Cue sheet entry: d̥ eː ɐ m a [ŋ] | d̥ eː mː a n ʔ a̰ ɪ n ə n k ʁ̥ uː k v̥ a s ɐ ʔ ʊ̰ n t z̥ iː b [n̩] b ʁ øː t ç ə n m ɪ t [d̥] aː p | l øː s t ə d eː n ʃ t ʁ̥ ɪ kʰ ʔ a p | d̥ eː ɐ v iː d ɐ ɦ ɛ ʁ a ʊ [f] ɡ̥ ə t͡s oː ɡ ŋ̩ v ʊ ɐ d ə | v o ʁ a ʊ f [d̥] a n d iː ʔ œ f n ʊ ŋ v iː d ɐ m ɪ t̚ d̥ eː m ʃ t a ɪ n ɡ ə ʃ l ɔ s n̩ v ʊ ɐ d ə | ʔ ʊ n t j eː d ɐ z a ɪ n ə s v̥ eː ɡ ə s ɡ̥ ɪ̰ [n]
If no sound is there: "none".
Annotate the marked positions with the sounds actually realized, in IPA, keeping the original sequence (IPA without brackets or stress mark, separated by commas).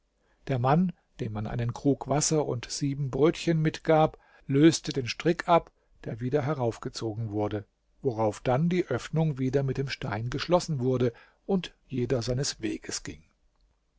n, m̩, ɡ̥, f, d̥, ŋ